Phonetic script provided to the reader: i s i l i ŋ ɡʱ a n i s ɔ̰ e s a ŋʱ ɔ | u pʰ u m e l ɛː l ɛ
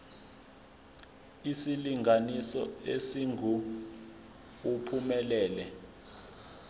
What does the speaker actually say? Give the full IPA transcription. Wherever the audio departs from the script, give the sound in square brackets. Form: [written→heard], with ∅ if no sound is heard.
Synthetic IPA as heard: i s i l i ŋ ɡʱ a n i s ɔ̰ e s [a→i] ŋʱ [ɔ→u] | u pʰ u m [e→ɛ] l ɛː l ɛ

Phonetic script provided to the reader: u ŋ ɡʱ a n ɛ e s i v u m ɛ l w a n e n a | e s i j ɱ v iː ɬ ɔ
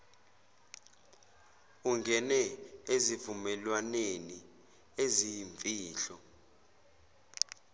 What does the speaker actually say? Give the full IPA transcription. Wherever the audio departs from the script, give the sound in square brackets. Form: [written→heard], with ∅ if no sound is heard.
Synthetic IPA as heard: u ŋ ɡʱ [a→ɛ] n ɛ e [s→z] i v u m ɛ l w a n e n [a→i] | e [s→z] i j ɱ v iː ɬ ɔ

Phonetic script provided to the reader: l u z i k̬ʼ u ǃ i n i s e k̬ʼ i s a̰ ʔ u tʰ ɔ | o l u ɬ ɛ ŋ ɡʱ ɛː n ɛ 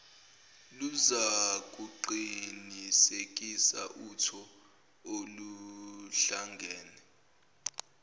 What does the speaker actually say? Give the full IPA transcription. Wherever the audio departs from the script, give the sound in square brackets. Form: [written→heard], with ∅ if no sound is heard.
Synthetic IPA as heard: l u z [i→a] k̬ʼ u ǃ i n i s e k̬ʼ i s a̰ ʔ u tʰ ɔ | o l u ɬ [ɛ→a] ŋ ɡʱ ɛː n ɛ

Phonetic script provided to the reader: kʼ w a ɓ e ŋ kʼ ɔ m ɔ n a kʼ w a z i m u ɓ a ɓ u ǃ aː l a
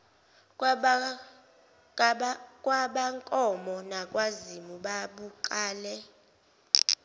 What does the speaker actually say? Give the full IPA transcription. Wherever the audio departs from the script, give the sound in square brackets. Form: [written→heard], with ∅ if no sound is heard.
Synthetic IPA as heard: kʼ w a ɓ [e→a] ŋ kʼ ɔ m ɔ n a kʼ w a z i m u ɓ a ɓ u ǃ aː l [a→ɛ]

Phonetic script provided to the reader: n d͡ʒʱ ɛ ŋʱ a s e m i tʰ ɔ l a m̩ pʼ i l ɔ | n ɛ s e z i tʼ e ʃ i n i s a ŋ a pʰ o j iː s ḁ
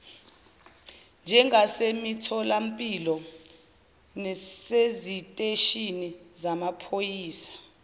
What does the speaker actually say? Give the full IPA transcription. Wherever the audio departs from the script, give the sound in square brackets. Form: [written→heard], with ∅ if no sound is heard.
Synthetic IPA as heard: n d͡ʒʱ ɛ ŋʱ a s e m i tʰ ɔ l a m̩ pʼ i l ɔ | n ɛ s e z i tʼ e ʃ i n i [s→z] a [ŋ→m] a pʰ o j iː s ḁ

